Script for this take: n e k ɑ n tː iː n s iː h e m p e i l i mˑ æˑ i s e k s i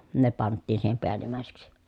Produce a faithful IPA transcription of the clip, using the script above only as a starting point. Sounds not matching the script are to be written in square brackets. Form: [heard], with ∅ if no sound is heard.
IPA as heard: n e [p] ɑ n tː iː n s iː h e m p e [æ] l i mˑ æˑ [e] s e k s i